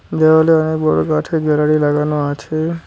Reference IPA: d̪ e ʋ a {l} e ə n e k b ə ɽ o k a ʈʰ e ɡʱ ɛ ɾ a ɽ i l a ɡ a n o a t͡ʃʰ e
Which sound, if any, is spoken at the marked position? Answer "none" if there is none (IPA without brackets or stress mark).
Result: l